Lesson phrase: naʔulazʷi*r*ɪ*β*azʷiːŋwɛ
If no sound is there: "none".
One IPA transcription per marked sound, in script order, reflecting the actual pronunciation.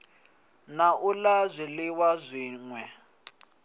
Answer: l, w

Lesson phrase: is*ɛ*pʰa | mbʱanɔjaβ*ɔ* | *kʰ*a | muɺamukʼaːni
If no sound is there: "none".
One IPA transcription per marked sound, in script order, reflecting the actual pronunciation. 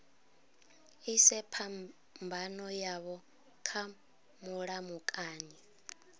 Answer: ɛ, ɔ, kʰ

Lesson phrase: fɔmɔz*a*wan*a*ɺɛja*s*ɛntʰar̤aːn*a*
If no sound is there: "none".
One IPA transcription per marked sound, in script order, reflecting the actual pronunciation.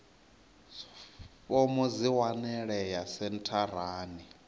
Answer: i, ɛ, s, i

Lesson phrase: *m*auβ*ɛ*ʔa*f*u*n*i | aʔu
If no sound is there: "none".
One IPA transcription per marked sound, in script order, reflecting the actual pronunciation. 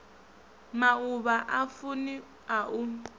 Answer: m, a, f, n

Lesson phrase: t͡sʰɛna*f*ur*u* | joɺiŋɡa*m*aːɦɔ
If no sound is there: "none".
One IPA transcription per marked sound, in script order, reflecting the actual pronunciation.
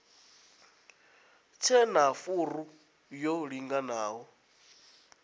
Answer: f, u, n

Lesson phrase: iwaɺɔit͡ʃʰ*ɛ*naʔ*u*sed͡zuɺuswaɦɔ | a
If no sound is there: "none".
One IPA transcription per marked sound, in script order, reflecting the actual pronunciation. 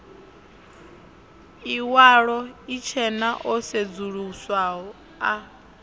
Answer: ɛ, ɔ

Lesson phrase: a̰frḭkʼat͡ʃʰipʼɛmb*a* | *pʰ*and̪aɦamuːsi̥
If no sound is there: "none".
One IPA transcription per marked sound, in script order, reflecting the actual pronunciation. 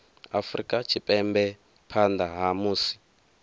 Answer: ɛ, pʰ

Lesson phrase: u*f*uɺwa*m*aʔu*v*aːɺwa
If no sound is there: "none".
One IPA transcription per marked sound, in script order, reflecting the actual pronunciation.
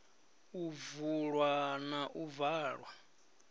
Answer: v, n, v

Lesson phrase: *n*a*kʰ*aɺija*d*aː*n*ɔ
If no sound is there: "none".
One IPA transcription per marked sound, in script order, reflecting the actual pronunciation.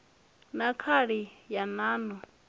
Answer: n, kʰ, n, n

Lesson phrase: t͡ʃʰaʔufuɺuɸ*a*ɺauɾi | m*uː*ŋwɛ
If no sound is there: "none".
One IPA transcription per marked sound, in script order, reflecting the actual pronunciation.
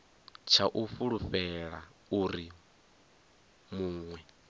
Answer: ɛ, uː

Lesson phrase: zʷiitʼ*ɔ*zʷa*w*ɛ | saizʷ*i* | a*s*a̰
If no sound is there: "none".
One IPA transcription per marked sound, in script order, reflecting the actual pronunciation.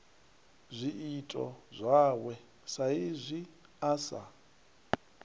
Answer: ɔ, w, i, s

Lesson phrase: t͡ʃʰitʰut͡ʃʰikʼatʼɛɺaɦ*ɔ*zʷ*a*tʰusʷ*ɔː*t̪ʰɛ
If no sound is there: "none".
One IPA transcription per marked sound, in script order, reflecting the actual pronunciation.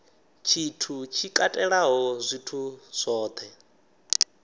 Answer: ɔ, i, ɔː

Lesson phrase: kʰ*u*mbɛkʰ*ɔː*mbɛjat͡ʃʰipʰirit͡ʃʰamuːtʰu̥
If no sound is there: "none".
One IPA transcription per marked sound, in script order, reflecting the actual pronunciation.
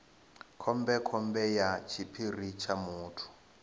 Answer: ɔ, ɔ

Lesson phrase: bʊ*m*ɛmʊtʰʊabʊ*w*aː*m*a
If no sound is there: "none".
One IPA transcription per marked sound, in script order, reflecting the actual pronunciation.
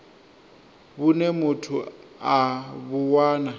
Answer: n, w, n

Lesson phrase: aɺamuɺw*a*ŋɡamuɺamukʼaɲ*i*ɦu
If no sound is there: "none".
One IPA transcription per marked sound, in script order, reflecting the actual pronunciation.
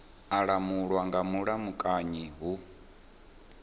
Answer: a, i

